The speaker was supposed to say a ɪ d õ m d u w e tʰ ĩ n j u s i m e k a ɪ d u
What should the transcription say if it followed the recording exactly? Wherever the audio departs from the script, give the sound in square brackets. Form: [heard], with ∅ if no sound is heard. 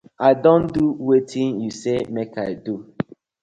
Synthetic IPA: a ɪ d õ [n] d u w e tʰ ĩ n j u s [e] m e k a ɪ d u